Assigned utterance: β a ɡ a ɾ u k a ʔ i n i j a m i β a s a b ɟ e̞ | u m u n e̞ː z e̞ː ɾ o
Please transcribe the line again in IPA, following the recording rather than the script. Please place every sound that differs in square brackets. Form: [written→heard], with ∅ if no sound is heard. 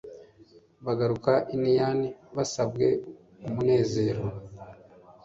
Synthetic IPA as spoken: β a ɡ a ɾ u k a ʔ i n i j a [m→n] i β a s a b [ɟ→ɡ] e̞ | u m u n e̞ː z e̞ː ɾ o